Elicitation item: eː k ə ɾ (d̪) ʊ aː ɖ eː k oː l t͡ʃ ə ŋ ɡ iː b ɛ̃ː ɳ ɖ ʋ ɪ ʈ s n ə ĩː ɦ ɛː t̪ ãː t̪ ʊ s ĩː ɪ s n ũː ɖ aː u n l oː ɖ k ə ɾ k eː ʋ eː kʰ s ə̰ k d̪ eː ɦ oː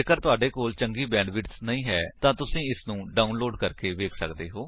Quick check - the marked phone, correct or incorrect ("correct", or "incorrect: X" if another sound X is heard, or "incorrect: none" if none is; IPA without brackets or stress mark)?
incorrect: t̪